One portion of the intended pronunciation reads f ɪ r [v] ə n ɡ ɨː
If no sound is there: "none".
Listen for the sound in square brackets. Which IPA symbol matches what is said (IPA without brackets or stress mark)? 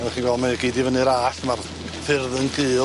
ð